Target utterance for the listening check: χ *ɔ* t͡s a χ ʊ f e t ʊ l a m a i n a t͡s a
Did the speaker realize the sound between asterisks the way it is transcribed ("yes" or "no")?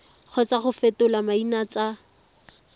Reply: yes